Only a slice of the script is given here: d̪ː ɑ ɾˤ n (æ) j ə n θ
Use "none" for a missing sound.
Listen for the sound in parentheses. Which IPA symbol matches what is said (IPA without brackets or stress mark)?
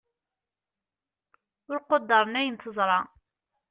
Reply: æ